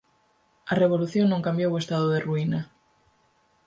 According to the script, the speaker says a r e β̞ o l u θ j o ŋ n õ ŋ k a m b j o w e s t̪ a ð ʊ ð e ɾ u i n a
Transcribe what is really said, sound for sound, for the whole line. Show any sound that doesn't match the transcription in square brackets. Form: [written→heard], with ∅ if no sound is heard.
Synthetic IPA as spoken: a r e β̞ o l u θ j o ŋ n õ ŋ k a m b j o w e s t̪ a ð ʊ ð e [ɾ→r] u i n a